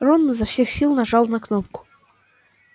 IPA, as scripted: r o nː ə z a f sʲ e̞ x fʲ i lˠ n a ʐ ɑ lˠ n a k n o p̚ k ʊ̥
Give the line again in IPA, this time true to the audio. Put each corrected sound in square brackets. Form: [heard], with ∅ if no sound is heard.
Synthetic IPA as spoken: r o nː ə z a f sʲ e̞ x [sʲ] i lˠ n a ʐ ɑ lˠ n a k n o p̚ k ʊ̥